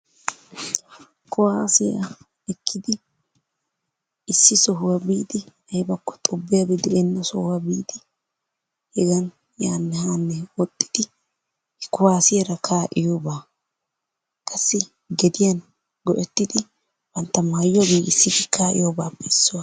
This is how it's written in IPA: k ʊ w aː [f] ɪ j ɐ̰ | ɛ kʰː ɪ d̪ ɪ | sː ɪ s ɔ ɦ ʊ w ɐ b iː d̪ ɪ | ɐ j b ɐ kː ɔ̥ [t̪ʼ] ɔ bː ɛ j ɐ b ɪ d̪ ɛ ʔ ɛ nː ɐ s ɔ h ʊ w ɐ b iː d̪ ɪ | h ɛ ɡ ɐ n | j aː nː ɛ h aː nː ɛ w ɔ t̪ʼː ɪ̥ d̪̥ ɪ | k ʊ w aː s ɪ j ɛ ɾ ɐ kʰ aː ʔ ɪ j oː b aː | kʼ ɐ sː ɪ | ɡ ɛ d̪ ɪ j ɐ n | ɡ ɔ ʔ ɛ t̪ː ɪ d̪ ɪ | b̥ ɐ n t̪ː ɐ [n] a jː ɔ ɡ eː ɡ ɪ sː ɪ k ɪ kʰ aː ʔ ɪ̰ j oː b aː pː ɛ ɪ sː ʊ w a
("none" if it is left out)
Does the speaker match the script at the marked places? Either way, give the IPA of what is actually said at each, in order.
s, t̪ʼ, m

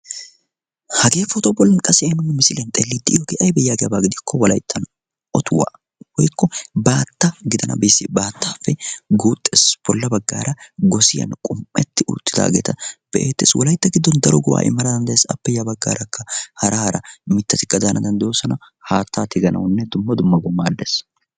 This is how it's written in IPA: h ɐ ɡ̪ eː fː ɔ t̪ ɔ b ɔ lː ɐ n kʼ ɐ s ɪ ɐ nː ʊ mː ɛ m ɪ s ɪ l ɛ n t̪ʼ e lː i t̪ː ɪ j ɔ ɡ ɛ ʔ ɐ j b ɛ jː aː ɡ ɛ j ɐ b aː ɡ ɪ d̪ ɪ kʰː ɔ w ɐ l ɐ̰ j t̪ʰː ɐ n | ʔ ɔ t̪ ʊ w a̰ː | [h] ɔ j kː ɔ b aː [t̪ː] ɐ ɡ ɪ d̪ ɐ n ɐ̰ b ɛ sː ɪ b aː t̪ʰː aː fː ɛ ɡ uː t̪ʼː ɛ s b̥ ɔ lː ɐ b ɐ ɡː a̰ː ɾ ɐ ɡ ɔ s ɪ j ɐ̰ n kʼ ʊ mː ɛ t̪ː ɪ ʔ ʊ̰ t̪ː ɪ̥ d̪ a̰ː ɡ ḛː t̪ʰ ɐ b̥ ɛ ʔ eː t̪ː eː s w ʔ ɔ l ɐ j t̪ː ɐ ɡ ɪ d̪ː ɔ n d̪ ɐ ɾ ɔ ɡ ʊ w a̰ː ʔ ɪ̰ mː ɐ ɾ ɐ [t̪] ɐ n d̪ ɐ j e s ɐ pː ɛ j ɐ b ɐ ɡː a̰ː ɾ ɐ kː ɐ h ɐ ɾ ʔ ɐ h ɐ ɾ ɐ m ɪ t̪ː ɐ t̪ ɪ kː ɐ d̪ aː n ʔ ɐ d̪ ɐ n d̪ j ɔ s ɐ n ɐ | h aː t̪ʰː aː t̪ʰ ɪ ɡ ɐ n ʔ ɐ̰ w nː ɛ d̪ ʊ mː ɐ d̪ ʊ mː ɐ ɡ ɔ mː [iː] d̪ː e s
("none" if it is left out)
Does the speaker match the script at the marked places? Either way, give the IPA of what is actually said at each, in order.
h, t̪ː, d̪, aː

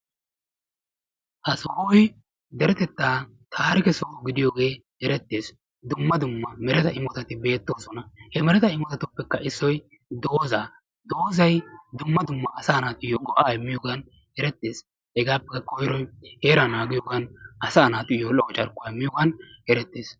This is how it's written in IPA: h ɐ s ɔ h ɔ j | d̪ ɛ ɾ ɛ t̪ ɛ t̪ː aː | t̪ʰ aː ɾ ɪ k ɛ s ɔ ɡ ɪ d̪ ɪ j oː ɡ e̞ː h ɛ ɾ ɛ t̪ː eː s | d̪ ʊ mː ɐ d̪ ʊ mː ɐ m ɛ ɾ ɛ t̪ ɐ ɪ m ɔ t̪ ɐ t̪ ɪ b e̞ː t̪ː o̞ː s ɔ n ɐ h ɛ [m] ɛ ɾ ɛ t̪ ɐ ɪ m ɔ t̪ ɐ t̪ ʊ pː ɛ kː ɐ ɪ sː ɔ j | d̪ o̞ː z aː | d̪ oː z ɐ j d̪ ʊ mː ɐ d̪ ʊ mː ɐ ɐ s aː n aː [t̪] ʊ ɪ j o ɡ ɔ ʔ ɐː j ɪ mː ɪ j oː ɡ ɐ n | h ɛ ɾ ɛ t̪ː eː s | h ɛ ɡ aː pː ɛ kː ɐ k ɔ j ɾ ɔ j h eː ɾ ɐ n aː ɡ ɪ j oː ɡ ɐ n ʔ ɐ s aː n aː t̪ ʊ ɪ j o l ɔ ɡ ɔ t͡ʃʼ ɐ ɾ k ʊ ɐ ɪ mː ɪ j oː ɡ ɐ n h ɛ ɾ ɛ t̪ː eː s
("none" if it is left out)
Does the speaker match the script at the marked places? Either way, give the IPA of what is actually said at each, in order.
m, t̪

